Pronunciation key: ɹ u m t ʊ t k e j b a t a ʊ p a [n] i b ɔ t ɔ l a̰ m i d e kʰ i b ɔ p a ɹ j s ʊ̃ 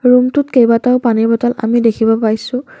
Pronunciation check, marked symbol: correct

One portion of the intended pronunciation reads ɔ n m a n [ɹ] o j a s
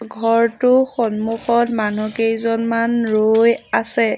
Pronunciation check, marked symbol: correct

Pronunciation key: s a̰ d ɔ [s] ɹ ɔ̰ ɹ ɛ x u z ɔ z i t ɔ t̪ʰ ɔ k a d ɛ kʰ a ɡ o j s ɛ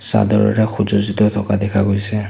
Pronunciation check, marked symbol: incorrect: none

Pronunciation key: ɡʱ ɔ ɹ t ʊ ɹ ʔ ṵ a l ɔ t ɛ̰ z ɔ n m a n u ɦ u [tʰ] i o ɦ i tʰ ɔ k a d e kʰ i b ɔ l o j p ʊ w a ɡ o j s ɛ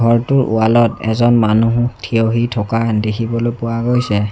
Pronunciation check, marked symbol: correct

